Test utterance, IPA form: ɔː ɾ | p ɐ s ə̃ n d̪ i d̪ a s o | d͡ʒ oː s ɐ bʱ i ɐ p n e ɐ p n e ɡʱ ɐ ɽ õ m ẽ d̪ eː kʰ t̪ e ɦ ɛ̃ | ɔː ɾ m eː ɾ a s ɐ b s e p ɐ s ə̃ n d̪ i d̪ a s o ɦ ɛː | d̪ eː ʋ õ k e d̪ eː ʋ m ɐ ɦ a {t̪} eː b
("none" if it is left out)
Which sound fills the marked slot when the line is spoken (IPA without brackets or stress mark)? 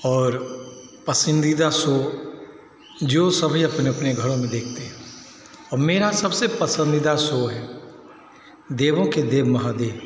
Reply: d̪